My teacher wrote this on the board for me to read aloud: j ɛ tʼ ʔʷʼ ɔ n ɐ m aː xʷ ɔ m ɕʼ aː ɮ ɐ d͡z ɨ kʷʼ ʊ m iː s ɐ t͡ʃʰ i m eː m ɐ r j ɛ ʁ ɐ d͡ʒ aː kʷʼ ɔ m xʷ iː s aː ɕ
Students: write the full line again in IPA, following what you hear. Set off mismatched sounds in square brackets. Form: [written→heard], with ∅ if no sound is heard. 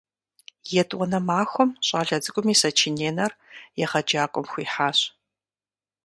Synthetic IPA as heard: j ɛ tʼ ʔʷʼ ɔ n ɐ m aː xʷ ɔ m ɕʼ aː ɮ ɐ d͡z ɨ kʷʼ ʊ m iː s ɐ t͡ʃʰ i [m→n] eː [m→n] ɐ r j ɛ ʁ ɐ d͡ʒ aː kʷʼ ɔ m xʷ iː [s→ħ] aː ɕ